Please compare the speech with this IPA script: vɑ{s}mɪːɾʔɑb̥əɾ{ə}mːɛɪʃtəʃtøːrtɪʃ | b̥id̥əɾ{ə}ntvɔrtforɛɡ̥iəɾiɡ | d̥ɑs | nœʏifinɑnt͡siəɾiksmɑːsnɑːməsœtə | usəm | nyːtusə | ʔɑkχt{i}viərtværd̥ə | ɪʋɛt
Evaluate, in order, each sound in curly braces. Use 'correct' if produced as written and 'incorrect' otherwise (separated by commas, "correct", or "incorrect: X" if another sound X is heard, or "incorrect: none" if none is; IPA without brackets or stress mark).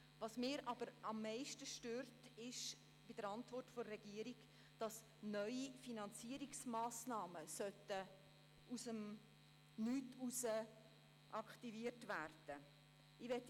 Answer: correct, incorrect: ɑ, incorrect: ɑ, correct